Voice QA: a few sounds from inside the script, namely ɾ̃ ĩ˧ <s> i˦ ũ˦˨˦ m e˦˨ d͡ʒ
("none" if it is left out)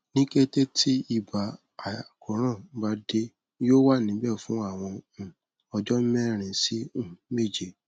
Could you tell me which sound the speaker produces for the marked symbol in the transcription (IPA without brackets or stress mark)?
s